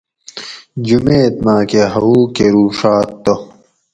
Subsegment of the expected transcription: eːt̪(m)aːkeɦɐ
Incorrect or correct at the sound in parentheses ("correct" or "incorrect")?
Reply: correct